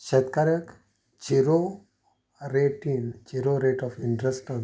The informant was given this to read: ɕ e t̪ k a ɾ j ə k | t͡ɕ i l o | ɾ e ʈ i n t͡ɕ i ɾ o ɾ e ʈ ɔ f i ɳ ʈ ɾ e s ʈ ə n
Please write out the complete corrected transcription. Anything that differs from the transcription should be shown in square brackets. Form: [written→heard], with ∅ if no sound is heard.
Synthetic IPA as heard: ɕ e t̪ k a ɾ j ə k | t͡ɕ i [l→ɾ] o | ɾ e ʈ i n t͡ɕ i ɾ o ɾ e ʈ ɔ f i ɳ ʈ ɾ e s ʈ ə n